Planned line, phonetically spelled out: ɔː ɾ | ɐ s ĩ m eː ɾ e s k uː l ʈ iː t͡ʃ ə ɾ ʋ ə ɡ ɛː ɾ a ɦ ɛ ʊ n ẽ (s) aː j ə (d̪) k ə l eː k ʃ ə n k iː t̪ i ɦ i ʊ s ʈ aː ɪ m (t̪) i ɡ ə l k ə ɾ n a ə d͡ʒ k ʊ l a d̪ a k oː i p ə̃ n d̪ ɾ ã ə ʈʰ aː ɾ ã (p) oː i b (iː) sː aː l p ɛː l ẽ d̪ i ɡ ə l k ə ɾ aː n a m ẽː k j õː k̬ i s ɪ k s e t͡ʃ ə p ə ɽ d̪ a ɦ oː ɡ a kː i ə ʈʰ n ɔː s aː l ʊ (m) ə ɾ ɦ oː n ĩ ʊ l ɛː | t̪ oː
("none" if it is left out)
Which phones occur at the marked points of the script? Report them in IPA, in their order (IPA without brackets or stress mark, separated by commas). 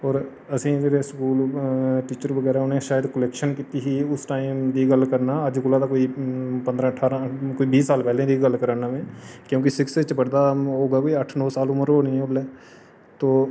ʃ, d̪, d̪, k, iː, m